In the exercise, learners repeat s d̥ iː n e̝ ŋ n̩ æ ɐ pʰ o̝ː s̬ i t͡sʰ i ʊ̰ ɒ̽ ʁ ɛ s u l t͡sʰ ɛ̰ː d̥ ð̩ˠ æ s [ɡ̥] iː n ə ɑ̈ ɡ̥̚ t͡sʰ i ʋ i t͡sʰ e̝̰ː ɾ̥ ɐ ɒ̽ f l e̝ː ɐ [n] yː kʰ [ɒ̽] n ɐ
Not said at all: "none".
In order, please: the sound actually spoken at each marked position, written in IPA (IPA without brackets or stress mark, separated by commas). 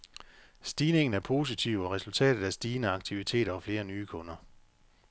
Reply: d̥, n, ɔ̽